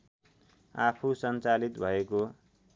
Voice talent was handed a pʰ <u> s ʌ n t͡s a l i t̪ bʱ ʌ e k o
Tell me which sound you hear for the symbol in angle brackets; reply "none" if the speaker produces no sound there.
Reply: u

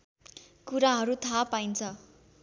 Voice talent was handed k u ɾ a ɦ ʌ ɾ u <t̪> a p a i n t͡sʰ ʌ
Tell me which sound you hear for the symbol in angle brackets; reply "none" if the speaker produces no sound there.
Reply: t̪ʰ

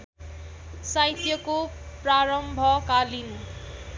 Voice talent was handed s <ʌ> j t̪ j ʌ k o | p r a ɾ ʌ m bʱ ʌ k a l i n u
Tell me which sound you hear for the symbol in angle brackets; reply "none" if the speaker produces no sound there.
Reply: a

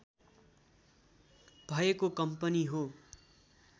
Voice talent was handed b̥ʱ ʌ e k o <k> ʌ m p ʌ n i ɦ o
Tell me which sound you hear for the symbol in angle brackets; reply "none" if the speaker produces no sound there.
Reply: k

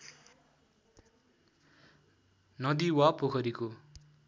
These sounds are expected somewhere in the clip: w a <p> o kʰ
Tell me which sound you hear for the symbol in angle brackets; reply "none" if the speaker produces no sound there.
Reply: p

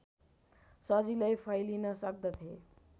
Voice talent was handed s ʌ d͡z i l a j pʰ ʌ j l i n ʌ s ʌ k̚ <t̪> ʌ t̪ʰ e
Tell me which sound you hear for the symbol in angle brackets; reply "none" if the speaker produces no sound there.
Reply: d̪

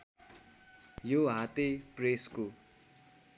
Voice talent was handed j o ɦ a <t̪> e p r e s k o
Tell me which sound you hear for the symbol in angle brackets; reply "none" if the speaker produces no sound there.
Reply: t̪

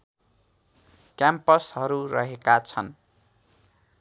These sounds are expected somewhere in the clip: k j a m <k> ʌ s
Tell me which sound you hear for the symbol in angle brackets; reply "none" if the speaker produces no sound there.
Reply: p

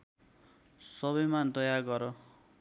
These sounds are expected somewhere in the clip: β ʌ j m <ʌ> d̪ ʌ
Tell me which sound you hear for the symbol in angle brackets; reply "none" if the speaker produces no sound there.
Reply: a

